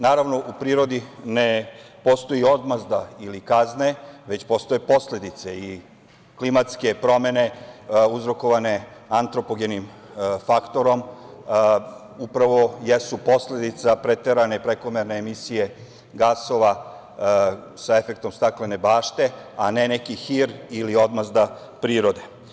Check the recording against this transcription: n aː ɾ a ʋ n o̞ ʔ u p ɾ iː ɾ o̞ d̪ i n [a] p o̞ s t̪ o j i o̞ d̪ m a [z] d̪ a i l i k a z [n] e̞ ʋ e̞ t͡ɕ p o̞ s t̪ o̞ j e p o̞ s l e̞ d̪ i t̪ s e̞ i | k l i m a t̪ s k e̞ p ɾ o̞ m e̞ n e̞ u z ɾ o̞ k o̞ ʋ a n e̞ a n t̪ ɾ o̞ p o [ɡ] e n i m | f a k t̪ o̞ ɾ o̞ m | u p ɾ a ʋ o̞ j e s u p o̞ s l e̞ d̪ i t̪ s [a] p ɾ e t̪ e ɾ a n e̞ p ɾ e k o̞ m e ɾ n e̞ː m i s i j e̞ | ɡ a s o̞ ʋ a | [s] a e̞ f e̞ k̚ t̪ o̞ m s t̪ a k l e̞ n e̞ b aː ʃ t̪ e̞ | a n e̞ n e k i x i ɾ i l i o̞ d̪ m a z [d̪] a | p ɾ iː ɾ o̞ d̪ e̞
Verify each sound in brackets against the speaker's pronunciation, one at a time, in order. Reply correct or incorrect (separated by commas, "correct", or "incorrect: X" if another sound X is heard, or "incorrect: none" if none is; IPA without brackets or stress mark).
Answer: incorrect: e, correct, correct, correct, correct, correct, correct